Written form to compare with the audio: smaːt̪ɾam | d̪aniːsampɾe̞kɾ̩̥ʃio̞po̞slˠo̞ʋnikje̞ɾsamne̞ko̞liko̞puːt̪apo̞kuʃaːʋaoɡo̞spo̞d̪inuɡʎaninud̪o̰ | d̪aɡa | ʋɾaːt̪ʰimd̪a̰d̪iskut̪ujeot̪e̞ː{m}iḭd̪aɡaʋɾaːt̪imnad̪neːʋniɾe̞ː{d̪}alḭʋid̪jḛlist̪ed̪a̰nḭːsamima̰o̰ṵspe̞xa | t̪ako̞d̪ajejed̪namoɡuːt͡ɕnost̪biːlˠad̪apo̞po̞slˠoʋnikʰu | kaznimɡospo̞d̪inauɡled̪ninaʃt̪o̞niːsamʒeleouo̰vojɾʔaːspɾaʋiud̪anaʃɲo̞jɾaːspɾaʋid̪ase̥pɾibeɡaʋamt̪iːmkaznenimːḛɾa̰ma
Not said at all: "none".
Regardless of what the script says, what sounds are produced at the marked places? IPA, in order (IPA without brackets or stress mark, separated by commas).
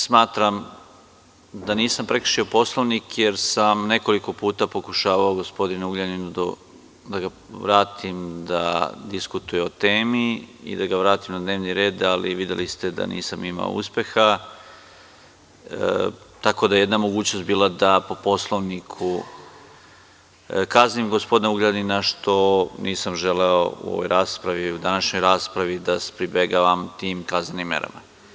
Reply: m, d̪